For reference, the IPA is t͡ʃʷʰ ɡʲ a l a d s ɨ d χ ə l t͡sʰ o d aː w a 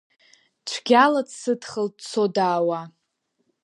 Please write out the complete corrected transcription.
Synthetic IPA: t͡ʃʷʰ ɡʲ a l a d s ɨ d χ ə l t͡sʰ o d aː w a